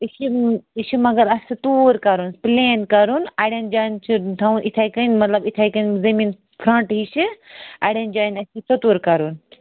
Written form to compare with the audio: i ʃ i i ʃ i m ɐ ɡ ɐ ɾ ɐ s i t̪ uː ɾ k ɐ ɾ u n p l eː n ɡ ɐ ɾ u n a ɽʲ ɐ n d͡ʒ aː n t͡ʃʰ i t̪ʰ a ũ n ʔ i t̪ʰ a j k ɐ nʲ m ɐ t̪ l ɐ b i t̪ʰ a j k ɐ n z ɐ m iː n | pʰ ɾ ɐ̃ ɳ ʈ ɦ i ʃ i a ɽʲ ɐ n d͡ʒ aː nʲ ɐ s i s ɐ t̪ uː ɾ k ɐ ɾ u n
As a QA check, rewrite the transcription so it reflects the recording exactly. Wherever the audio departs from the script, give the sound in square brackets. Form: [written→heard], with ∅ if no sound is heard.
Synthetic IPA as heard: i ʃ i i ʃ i m ɐ ɡ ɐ ɾ ɐ s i t̪ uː ɾ k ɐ ɾ u n p l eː n [ɡ→k] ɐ ɾ u n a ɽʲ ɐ n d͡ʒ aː n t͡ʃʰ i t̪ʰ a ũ n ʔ i t̪ʰ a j k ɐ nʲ m ɐ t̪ l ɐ b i t̪ʰ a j k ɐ n z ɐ m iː n | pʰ ɾ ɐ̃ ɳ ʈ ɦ i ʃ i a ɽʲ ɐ n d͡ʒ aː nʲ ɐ s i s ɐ t̪ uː ɾ k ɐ ɾ u n